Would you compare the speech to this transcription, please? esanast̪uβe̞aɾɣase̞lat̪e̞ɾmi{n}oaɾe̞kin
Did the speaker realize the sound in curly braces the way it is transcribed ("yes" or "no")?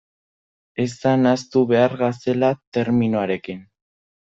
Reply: yes